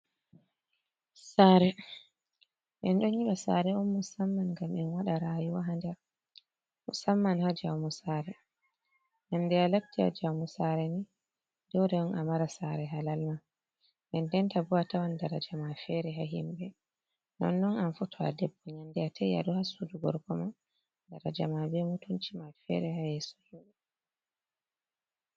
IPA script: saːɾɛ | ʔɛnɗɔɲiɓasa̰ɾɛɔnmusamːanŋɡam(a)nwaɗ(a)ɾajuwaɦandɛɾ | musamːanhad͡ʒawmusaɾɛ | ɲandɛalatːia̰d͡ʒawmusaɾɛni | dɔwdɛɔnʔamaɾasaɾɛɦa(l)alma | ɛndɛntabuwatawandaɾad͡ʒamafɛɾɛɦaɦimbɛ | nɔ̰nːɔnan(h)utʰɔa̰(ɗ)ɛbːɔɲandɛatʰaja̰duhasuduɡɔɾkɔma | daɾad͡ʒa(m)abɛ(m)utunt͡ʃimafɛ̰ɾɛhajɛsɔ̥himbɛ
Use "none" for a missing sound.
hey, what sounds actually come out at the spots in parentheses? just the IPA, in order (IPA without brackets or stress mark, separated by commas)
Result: ɛ, a, l, f, d, m, m